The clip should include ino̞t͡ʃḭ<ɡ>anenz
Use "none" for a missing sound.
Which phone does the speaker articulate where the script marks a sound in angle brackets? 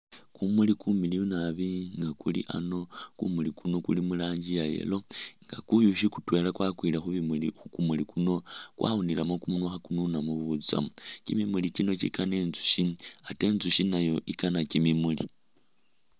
k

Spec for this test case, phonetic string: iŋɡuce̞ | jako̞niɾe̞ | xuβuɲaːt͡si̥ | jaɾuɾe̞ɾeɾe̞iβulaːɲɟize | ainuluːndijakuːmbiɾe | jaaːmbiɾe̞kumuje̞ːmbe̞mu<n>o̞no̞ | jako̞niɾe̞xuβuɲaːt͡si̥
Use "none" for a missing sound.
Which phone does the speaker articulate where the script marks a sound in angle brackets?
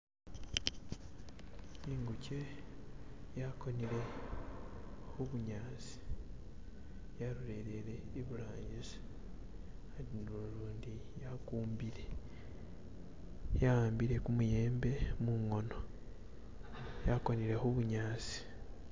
ŋ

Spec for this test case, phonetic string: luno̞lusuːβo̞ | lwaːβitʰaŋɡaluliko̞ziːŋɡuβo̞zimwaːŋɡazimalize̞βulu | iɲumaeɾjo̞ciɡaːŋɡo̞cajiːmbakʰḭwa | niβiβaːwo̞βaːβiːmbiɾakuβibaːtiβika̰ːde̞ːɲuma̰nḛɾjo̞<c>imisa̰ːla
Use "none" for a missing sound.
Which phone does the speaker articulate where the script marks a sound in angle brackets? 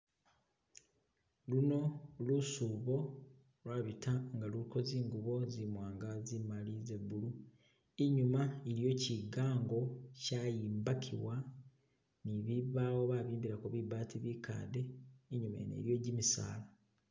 ɟ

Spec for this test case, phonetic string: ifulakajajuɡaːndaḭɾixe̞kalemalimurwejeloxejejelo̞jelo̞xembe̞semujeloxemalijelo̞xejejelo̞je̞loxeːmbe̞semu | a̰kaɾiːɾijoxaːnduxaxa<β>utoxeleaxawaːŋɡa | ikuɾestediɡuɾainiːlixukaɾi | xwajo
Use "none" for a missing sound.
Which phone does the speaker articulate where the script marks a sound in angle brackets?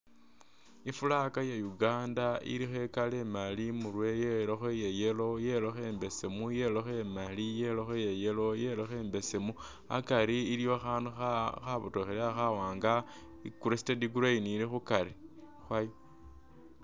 β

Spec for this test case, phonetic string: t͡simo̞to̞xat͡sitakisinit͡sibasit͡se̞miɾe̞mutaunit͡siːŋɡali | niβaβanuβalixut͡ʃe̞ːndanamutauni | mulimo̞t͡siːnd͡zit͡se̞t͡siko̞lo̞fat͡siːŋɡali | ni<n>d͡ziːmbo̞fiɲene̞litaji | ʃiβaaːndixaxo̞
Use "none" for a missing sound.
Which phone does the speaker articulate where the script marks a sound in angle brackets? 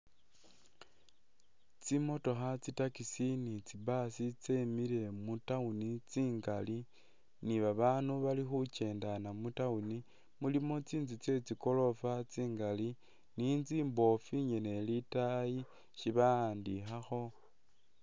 n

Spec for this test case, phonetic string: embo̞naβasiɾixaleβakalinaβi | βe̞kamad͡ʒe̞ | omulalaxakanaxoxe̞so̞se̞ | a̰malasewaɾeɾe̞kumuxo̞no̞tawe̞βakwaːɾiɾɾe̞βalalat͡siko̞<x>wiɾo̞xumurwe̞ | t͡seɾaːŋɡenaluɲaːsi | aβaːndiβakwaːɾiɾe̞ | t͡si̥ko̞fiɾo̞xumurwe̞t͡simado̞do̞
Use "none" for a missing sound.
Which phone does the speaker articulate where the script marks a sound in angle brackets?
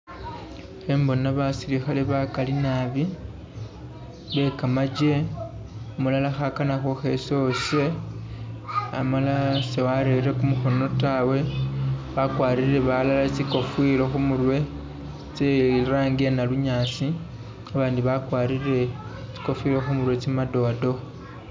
f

